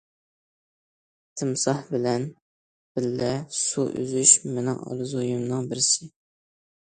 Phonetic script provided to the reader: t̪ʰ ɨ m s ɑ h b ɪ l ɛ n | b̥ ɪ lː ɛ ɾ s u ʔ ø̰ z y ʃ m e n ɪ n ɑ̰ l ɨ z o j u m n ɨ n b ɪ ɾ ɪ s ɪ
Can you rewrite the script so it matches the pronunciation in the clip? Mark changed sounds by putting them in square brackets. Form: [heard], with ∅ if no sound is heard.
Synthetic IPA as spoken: t̪ʰ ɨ m s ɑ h b ɪ l ɛ n | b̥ ɪ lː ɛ [∅] s u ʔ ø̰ z y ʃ m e n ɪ [ŋ] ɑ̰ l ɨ z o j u m n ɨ [ŋ] b ɪ ɾ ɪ s ɪ

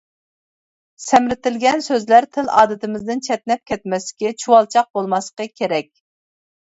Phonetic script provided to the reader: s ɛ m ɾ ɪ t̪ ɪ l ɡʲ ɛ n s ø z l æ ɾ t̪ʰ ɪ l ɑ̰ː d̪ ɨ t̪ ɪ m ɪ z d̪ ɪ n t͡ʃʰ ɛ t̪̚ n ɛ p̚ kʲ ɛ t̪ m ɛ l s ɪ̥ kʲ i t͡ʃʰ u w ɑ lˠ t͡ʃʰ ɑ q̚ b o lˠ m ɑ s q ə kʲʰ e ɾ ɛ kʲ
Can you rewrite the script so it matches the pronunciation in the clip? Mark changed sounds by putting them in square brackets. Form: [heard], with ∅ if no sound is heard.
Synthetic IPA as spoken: s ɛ m ɾ ɪ t̪ ɪ l ɡʲ ɛ n s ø z l æ ɾ t̪ʰ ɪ l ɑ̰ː d̪ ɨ t̪ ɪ m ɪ z d̪ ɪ n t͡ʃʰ ɛ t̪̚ n ɛ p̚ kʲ ɛ t̪ m ɛ [∅] s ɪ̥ kʲ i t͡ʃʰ u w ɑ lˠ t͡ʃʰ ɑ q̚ b o lˠ m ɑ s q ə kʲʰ e ɾ ɛ kʲ

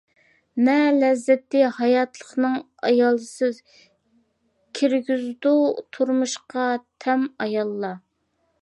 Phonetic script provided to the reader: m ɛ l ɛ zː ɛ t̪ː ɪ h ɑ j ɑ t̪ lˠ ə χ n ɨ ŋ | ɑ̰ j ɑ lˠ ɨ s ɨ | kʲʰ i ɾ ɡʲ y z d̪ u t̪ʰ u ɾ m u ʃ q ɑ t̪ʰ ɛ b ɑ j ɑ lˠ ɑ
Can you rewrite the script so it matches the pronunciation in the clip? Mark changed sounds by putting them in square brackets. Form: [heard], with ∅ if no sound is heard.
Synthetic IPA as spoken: m ɛ l ɛ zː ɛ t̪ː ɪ h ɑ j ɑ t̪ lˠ ə χ n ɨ ŋ | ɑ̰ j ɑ lˠ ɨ s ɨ | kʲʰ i ɾ ɡʲ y z d̪ u t̪ʰ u ɾ m u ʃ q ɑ t̪ʰ ɛ [m] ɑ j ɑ [lˠː] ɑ

